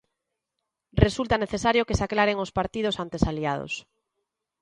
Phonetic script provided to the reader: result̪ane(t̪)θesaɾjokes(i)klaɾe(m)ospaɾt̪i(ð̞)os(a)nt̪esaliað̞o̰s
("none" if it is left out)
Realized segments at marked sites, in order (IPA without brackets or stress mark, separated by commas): none, a, ŋ, ð̞, a